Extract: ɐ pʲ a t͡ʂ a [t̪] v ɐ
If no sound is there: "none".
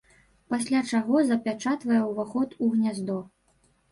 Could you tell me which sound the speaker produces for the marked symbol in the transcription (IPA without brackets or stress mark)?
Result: t̪